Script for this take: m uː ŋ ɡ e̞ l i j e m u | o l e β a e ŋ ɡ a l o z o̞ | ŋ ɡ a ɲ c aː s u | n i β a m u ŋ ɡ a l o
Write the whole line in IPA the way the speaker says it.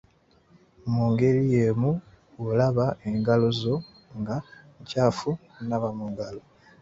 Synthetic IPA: m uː ŋ ɡ e̞ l i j e m u | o l a β a e ŋ ɡ a l o z o̞ | ŋ ɡ a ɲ c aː f u | n a β a m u ŋ ɡ a l o